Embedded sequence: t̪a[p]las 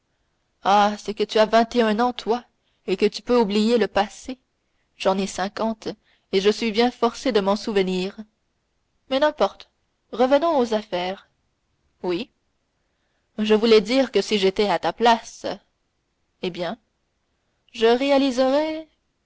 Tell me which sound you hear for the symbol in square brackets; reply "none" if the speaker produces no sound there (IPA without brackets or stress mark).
p